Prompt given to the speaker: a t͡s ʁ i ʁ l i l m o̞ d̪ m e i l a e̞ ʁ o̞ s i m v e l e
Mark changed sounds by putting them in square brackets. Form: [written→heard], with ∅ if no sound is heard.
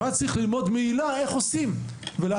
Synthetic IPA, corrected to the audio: a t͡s ʁ i [ʁ→χ] l i l m o̞ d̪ m e i l a e̞ [ʁ→χ] o̞ s i m v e l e